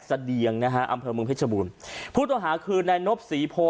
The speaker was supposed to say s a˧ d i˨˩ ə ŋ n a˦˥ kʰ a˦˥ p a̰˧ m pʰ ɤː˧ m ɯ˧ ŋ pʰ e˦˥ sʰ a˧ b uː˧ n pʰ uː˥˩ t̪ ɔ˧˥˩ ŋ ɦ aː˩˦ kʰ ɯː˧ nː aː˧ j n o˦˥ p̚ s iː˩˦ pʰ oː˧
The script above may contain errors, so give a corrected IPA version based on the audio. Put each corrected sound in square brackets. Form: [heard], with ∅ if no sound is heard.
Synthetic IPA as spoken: s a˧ d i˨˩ ə ŋ n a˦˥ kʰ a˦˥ [ʔ] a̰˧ m pʰ ɤː˧ m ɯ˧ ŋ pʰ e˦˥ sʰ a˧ b uː˧ n pʰ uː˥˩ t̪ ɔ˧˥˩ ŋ ɦ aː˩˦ kʰ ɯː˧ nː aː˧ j n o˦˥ p̚ s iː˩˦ pʰ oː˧